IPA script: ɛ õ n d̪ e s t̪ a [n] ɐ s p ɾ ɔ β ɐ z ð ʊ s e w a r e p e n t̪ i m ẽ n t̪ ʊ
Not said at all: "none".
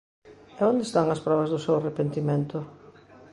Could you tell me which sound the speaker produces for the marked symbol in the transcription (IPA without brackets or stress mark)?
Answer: ŋ